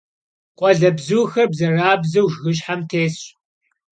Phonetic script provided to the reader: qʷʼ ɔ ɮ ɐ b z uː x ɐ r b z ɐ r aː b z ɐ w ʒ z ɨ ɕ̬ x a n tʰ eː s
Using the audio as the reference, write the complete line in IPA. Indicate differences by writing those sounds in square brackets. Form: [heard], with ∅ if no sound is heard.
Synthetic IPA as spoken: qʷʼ ɔ ɮ ɐ b z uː x ɐ r b z ɐ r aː b z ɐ w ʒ [ɣ] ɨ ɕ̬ [ħ] a [m] tʰ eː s